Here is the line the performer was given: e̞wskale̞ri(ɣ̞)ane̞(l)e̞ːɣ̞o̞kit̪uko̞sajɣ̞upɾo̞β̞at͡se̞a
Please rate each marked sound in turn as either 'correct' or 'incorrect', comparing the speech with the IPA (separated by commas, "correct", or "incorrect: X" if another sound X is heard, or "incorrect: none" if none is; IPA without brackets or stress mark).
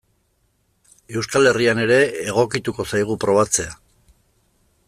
incorrect: none, incorrect: ɾ